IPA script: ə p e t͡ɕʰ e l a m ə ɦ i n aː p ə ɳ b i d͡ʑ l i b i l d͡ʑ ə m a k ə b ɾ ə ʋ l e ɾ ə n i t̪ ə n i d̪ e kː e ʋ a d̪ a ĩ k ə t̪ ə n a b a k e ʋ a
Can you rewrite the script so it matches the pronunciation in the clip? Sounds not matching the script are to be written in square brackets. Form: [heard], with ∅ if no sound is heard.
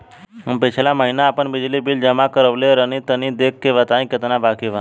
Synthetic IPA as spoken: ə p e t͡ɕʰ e l a m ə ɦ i n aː p ə ɳ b i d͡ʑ l i b i l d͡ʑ ə m a k ə [∅] ɾ ə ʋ l e ɾ ə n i t̪ ə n i d̪ e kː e ʋ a [t̪] a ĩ k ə t̪ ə n a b a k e ʋ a